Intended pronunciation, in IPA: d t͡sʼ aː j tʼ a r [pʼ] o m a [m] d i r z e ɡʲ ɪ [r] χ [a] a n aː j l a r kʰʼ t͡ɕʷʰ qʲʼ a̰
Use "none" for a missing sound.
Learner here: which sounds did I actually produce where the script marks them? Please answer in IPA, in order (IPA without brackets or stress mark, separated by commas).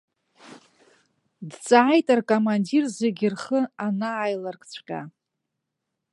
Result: kʼ, n, r, ə